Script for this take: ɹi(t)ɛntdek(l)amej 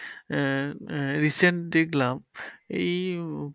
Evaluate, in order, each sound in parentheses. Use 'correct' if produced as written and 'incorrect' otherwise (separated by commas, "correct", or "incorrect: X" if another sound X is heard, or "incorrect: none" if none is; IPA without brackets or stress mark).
incorrect: s, correct